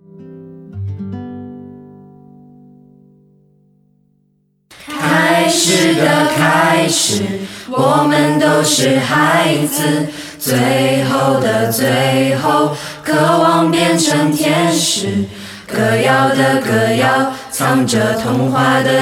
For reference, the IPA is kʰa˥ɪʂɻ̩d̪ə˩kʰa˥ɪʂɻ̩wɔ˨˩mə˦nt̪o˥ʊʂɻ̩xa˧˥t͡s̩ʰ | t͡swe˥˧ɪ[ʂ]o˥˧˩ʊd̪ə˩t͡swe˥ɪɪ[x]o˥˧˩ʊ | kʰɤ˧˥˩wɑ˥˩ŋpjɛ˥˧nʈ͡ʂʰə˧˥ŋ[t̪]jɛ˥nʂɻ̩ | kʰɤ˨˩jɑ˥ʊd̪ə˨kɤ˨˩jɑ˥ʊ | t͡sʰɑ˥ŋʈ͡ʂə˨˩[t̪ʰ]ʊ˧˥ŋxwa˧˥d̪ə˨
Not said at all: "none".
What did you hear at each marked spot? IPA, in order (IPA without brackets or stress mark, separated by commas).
x, x, t̪ʰ, t̪ʰ